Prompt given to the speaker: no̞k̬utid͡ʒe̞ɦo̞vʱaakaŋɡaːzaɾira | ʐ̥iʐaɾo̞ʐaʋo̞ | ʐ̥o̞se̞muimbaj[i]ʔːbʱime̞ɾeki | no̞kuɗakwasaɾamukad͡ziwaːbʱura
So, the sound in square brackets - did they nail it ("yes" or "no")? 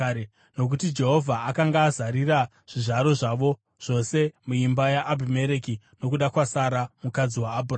no